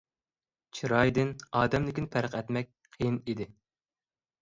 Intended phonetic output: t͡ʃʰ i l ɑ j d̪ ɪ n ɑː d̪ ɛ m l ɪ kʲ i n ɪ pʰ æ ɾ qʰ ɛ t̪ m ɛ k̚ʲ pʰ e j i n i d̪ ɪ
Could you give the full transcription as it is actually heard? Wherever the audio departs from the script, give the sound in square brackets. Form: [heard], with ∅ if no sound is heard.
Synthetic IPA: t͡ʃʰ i [ɾ] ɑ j d̪ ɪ n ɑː d̪ ɛ m l ɪ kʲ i n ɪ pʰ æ ɾ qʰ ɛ t̪ m ɛ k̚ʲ [qʰ] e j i n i d̪ ɪ